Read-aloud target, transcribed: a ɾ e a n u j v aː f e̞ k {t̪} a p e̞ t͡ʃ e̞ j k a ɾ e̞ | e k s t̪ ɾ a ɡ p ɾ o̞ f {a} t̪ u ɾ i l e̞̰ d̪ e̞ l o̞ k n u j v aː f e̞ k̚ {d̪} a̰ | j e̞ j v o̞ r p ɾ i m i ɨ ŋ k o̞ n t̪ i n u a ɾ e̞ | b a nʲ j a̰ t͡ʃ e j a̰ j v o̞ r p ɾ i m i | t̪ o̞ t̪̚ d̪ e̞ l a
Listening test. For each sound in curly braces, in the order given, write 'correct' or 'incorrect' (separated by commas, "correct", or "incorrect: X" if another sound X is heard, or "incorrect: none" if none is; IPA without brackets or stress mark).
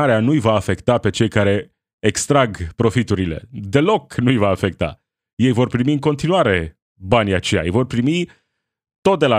correct, incorrect: i, incorrect: t̪